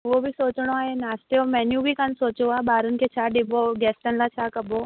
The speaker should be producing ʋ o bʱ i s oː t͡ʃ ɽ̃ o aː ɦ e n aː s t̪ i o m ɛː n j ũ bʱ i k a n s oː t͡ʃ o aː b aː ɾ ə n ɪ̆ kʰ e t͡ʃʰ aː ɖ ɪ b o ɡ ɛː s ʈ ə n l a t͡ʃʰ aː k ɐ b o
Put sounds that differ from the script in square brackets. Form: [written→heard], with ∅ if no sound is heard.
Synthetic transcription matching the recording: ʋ o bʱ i s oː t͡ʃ ɽ̃ o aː ɦ e n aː s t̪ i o m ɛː n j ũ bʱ i k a n s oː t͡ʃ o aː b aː ɾ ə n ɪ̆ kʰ e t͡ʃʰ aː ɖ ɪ b o ɡ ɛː s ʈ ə n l a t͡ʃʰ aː k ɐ b o